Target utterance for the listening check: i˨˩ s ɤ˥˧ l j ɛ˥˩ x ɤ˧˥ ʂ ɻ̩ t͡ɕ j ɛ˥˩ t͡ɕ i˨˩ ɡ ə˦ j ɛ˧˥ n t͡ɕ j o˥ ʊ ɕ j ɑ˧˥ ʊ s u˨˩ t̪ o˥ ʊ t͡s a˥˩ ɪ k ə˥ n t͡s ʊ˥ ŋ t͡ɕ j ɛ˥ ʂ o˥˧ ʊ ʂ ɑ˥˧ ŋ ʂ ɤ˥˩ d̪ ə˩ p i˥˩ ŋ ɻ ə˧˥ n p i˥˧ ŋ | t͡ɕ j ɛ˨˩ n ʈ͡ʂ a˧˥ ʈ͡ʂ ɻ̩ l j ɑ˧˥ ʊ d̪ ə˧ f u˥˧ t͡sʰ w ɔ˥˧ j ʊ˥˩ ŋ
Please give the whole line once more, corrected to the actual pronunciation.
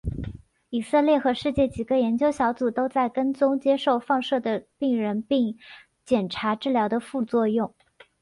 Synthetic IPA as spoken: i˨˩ s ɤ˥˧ l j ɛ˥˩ x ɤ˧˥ ʂ ɻ̩ t͡ɕ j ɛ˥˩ t͡ɕ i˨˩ ɡ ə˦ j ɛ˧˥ n t͡ɕ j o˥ ʊ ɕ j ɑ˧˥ ʊ t͡s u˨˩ t̪ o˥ ʊ t͡s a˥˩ ɪ k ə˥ n t͡s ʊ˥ ŋ t͡ɕ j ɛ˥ ʂ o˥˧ ʊ f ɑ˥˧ ŋ ʂ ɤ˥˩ d̪ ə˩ p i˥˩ ŋ ɻ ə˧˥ n p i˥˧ ŋ | t͡ɕ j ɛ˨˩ n ʈ͡ʂʰ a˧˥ ʈ͡ʂ ɻ̩ l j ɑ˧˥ ʊ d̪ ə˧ f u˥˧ t͡s w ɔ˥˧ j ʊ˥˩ ŋ